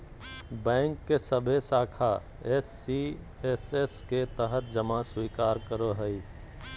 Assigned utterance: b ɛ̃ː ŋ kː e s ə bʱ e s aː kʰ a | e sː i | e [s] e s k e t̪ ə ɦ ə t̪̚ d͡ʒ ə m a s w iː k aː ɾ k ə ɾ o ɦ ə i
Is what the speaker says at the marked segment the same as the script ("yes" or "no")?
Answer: yes